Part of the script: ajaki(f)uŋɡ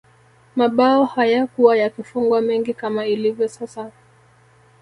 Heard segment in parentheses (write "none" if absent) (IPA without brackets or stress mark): f